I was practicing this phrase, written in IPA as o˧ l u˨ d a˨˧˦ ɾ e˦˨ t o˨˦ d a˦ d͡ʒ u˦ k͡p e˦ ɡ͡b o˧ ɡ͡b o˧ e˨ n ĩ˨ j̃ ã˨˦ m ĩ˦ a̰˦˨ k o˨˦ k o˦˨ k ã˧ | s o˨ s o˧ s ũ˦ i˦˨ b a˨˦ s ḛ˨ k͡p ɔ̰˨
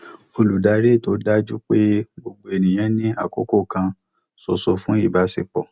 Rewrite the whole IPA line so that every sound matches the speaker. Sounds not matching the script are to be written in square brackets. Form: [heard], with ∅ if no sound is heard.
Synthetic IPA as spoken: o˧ l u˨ d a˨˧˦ ɾ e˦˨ t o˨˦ d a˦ d͡ʒ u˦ k͡p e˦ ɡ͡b o˧ ɡ͡b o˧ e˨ n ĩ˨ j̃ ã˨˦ [n] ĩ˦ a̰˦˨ k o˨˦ k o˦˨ k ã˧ | s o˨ s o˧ [f] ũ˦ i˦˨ b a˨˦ s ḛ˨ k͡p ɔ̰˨